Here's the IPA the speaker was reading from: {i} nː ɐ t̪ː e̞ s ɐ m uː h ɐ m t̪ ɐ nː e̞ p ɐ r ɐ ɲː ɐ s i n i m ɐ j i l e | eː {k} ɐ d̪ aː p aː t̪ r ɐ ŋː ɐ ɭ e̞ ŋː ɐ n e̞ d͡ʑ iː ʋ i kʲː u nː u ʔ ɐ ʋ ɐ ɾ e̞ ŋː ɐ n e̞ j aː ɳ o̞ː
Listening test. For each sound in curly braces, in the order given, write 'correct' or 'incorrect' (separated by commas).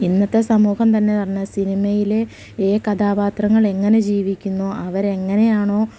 correct, correct